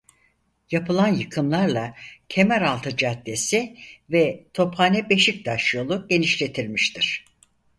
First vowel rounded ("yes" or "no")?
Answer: no